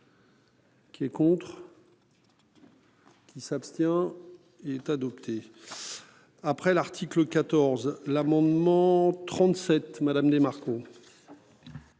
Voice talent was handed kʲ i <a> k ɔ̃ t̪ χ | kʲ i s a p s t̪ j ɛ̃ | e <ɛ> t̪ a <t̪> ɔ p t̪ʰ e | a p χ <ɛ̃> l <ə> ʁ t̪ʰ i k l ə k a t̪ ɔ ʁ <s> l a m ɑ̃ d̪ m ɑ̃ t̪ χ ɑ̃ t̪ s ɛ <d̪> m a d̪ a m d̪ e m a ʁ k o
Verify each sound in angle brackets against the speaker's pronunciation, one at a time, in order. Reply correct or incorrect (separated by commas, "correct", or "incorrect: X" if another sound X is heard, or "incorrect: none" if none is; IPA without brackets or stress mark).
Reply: incorrect: ɛ, correct, incorrect: d̪, incorrect: ɛ, incorrect: a, incorrect: z, incorrect: t̪